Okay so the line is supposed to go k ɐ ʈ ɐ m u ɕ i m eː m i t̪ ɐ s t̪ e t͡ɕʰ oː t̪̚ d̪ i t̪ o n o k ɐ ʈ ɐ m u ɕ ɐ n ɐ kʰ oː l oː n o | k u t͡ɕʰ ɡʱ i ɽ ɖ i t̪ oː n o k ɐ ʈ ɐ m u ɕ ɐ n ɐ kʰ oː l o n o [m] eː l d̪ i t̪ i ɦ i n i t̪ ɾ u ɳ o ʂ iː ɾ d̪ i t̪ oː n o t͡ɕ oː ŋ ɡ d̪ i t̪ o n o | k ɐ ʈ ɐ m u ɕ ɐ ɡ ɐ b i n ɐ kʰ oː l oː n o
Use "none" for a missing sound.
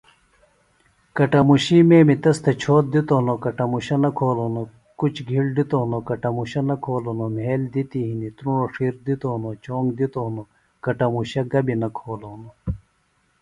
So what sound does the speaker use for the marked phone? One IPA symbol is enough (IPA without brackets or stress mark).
m